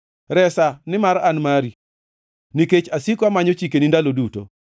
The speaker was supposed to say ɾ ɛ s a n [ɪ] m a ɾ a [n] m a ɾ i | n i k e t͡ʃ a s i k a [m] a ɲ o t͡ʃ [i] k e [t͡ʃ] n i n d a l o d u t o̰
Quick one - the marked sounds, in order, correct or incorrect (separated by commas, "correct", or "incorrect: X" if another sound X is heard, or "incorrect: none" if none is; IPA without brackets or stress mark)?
correct, correct, correct, correct, incorrect: none